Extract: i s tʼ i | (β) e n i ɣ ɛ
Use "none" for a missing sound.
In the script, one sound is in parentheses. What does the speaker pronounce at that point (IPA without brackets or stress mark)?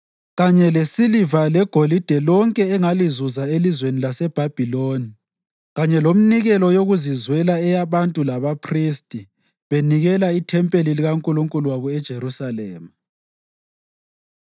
β